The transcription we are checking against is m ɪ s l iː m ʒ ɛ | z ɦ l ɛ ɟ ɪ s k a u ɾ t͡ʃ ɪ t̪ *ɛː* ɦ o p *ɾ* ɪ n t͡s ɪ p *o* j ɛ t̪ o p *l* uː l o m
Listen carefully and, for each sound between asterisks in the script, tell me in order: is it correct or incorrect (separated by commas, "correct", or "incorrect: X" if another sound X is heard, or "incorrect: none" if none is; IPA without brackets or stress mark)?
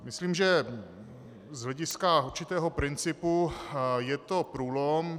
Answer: correct, correct, incorrect: u, incorrect: ɾ